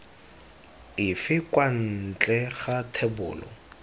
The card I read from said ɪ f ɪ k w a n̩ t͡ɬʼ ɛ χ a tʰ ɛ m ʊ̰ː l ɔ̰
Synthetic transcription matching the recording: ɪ f ɪ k w a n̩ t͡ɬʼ ɛ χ a tʰ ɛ b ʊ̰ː l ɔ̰